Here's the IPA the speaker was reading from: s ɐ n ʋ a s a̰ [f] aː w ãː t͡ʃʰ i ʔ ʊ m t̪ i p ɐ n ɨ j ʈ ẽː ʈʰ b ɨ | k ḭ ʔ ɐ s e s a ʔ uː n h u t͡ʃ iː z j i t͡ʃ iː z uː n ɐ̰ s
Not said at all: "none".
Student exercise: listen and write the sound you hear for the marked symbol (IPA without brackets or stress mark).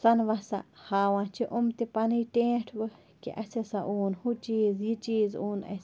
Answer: h